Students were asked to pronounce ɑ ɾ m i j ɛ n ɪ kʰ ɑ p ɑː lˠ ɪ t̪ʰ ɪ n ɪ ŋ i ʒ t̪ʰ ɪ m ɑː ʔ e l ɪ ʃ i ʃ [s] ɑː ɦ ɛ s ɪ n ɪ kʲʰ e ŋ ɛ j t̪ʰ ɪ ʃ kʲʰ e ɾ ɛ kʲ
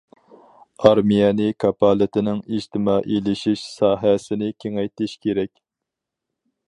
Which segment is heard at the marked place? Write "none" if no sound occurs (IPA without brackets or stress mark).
s